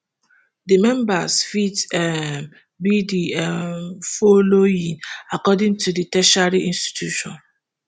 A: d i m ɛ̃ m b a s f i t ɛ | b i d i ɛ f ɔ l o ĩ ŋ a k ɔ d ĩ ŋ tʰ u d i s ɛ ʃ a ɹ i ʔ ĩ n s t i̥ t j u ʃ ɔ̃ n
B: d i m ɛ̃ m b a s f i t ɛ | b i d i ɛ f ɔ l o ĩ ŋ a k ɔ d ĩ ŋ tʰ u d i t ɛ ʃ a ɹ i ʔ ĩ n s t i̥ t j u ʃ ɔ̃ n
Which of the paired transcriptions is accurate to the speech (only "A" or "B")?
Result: B